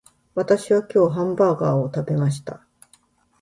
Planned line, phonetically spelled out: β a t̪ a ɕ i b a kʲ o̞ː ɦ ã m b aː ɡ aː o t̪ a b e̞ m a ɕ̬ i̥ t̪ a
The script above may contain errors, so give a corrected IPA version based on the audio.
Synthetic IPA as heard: β a t̪ a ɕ i β a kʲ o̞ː ɦ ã m b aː ɡ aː o t̪ a b e̞ m a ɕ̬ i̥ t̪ a